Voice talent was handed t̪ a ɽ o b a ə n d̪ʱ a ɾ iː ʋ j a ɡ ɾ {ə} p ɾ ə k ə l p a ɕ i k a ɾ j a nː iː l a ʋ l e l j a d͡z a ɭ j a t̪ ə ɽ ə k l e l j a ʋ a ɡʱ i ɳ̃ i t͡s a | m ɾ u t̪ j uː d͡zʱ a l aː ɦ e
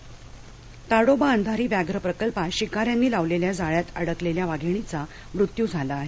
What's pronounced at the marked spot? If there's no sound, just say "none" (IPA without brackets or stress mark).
ə